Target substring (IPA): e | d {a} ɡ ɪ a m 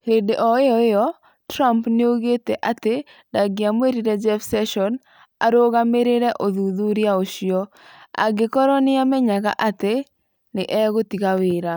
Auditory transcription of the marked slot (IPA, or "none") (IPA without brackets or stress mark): a